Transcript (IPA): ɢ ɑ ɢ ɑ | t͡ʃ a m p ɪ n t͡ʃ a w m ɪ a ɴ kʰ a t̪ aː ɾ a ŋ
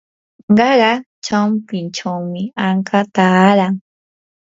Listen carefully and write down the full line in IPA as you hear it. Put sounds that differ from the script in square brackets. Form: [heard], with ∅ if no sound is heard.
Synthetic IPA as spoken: ɢ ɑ ɢ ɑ | t͡ʃ a m p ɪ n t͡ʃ a w m ɪ a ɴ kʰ a t̪ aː ɾ a ŋ